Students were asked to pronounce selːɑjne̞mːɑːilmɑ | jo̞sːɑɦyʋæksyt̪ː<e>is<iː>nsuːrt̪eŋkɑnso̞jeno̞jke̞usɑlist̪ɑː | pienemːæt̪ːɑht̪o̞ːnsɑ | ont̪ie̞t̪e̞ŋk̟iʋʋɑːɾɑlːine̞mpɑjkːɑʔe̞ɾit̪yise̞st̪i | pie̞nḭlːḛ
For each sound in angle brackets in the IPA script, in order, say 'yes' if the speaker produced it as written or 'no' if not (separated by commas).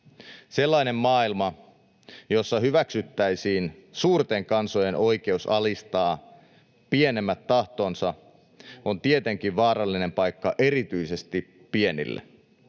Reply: no, yes